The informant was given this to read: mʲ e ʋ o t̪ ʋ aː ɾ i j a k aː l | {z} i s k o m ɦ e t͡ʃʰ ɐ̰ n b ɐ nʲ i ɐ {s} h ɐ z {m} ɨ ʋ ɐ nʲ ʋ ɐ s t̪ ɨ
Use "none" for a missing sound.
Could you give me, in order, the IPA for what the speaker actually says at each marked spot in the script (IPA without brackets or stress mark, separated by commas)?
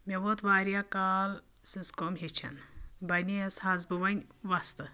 s, s, b